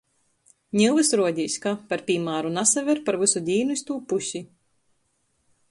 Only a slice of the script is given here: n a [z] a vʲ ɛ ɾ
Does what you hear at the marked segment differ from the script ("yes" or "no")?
yes